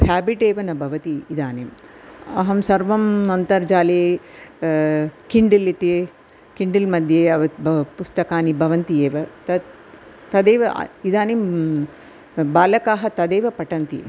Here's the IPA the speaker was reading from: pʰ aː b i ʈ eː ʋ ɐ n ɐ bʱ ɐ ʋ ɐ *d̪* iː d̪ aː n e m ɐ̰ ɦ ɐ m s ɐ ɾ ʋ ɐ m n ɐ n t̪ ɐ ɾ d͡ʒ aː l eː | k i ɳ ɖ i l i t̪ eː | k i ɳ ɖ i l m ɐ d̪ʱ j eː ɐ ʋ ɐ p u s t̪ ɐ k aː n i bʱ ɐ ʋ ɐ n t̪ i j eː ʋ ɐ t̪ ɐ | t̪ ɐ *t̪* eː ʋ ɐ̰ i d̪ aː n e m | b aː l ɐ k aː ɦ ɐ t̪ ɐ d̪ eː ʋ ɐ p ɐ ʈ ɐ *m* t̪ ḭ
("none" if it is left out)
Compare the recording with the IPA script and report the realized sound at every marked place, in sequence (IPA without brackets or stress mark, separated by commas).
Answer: t̪, d̪, n